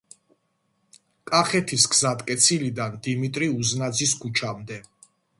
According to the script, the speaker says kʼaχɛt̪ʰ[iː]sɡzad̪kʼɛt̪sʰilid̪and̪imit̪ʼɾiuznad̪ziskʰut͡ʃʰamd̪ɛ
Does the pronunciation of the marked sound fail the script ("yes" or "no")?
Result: yes